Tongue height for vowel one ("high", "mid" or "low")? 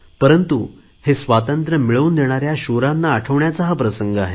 mid